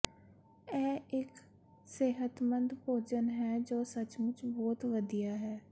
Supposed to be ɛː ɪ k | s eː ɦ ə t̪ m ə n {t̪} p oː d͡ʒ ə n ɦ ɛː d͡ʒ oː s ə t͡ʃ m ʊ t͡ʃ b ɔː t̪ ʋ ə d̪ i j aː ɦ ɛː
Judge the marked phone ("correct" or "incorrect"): incorrect